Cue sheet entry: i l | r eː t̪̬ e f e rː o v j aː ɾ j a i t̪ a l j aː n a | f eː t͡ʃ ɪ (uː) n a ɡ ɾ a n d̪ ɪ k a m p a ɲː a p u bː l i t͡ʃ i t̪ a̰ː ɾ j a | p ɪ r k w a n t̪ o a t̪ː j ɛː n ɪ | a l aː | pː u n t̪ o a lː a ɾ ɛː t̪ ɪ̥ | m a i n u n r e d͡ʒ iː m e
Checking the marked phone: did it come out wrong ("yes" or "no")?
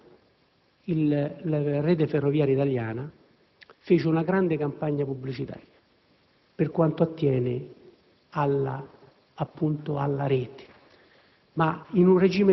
yes